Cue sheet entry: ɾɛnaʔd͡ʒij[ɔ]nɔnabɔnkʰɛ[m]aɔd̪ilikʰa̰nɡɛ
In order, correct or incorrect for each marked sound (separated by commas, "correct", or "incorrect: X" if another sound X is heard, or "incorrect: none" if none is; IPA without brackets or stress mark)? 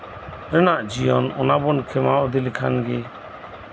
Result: correct, correct